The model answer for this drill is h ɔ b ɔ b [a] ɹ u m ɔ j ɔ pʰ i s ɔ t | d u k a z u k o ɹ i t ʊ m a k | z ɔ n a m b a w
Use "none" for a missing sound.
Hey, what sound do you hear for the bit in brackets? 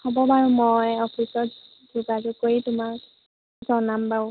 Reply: a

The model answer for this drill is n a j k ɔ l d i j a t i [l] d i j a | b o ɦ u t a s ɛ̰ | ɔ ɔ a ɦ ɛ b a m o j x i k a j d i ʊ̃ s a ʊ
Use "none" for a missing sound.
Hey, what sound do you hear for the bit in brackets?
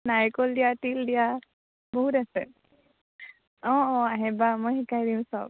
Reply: l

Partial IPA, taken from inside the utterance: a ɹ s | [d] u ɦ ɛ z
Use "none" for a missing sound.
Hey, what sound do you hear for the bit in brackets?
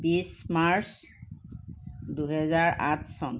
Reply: d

